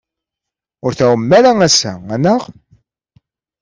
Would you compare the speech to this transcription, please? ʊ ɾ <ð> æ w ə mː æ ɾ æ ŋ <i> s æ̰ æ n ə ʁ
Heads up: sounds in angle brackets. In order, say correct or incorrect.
incorrect: θ, incorrect: æ

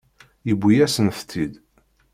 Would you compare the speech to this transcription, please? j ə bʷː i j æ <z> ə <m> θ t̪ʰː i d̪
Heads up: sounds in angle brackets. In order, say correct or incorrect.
incorrect: s, incorrect: n

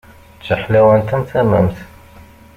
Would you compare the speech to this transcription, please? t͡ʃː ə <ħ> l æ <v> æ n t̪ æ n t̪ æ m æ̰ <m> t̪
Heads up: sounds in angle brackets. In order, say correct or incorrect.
correct, incorrect: w, correct

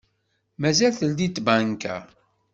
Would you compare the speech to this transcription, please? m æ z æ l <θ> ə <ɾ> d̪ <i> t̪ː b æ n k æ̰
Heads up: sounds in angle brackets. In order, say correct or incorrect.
correct, incorrect: l, correct

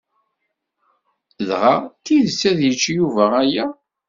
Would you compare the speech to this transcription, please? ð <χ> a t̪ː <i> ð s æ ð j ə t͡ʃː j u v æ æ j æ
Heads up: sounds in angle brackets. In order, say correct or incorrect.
incorrect: ʁ, correct

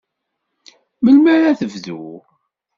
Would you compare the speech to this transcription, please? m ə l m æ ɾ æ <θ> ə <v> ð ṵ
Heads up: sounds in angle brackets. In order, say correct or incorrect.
correct, correct

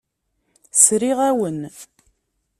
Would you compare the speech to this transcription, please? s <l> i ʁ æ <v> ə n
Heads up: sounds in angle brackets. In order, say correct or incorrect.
incorrect: ɾ, incorrect: w

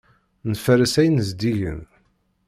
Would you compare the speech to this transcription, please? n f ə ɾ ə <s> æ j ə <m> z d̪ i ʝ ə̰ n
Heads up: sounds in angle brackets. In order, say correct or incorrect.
correct, incorrect: n

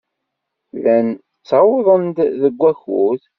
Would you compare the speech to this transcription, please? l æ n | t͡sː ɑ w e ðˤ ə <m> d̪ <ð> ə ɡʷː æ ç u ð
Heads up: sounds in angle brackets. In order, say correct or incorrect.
incorrect: n, correct

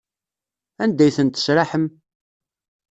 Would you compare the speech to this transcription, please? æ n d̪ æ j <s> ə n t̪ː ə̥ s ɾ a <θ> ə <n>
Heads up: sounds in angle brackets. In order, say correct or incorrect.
incorrect: θ, incorrect: ħ, incorrect: m

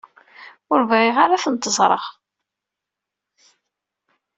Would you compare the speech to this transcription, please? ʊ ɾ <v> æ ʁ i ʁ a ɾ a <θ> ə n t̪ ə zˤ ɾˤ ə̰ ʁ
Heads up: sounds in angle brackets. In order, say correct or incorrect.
correct, correct

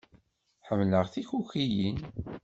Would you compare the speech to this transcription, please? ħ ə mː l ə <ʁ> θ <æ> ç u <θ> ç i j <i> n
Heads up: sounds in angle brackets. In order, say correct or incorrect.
correct, incorrect: i, incorrect: none, correct

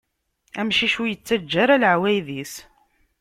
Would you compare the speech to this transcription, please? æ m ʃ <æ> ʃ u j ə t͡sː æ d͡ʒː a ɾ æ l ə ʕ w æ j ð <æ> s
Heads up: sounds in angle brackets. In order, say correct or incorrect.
incorrect: i, incorrect: i

